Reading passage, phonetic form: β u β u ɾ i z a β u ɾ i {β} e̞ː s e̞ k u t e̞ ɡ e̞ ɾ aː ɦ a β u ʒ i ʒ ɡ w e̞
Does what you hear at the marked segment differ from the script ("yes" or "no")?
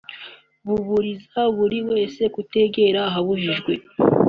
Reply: yes